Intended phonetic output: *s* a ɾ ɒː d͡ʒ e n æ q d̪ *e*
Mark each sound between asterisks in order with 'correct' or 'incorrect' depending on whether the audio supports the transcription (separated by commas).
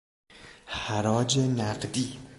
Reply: incorrect, incorrect